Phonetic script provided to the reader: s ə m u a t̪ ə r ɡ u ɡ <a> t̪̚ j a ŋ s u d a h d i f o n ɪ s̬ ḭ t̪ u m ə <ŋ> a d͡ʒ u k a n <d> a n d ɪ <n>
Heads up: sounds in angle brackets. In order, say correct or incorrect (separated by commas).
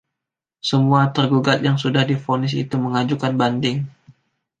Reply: correct, correct, incorrect, incorrect